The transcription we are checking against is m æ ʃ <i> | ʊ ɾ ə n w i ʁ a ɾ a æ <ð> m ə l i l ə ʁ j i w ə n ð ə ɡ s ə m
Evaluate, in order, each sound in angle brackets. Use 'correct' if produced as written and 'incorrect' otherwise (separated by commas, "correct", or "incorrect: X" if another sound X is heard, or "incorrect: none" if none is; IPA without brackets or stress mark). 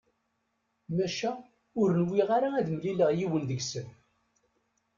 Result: incorrect: æ, correct